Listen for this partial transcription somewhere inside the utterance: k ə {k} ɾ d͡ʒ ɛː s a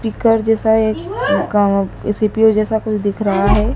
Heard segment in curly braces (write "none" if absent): none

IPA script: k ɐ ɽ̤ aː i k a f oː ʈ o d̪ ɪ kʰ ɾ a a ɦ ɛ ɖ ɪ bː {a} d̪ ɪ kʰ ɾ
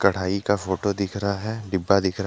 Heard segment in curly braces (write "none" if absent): a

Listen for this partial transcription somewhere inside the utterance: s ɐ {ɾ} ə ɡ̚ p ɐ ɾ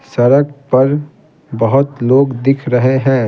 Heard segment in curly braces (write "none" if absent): ɾ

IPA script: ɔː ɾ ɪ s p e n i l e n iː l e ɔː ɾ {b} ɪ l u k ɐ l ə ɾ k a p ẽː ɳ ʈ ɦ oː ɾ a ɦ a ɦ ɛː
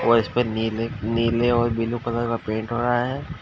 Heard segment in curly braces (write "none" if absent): b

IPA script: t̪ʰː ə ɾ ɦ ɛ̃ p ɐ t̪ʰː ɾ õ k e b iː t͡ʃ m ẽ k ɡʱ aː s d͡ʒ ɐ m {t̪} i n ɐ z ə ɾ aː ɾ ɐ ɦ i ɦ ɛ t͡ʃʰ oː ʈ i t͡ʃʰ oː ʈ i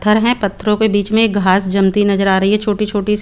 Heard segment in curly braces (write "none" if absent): t̪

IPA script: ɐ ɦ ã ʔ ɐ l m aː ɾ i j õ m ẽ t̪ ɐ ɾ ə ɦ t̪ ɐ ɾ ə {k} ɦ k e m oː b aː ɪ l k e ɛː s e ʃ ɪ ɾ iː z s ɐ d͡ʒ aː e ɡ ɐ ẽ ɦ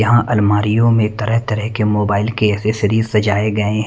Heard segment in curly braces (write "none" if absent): none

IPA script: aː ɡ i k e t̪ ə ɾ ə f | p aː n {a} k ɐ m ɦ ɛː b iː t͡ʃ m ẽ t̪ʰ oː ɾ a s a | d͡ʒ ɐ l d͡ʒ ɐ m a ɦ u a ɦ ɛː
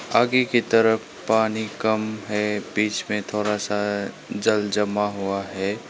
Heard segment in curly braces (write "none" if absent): i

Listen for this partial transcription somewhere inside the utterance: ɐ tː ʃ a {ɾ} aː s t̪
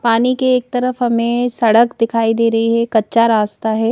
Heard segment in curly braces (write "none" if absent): ɾ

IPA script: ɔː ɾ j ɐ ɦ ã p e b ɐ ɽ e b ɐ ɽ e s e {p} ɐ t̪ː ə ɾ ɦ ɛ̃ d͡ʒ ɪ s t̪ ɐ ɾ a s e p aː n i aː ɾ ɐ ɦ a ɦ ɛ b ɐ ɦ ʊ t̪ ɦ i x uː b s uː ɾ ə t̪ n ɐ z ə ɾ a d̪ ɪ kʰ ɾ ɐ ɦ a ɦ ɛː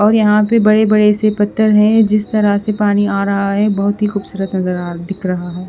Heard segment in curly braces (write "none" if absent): p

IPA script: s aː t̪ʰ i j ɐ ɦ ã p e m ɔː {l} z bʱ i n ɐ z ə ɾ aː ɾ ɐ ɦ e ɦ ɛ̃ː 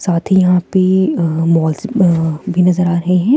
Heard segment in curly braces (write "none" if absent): l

